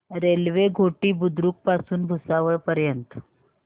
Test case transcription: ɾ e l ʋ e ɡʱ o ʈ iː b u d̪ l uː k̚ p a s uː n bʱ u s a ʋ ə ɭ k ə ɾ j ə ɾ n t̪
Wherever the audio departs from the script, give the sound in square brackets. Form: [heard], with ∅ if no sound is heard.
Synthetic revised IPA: ɾ e l ʋ e ɡʱ o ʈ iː b u d̪ [ɾ] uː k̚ p a s uː n bʱ u s a ʋ ə ɭ [p] ə ɾ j ə [∅] n t̪